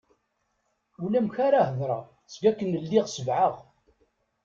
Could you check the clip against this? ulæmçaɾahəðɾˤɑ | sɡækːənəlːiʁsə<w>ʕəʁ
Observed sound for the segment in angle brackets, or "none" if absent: v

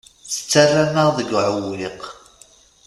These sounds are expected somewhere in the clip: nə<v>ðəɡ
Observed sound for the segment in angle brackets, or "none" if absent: ʁ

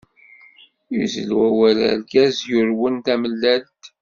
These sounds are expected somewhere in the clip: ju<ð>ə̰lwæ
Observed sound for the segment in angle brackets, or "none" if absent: z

